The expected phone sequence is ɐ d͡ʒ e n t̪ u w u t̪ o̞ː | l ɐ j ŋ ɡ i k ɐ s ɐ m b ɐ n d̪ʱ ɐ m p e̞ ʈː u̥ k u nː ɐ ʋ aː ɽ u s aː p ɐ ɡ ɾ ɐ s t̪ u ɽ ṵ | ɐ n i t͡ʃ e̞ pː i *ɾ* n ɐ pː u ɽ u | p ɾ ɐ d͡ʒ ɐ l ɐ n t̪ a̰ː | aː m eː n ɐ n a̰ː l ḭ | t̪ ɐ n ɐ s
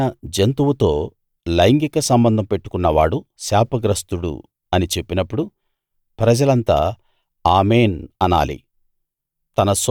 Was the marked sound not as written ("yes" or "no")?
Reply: yes